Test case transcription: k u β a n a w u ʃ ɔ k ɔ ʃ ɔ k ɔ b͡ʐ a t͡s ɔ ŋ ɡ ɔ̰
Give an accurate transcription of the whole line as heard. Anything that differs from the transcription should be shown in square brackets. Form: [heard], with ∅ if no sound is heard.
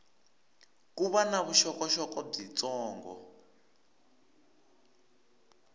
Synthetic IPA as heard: k u β a n a [β] u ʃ ɔ k ɔ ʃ ɔ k ɔ b͡ʐ [i] t͡s [ɔː] ŋ ɡ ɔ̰